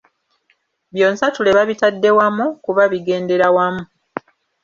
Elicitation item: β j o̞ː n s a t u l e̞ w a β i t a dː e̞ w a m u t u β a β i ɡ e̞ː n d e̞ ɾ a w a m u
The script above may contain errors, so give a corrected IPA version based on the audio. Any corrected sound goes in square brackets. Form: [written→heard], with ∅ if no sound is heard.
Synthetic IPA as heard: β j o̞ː n s a t u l e̞ [w→β] a β i t a dː e̞ w a m u [t→k] u β a β i ɡ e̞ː n d e̞ ɾ a w a m u